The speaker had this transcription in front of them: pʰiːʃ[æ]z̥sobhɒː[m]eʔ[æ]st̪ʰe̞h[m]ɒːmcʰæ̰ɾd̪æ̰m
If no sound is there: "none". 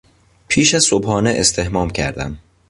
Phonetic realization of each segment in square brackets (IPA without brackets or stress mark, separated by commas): æ, n, e, m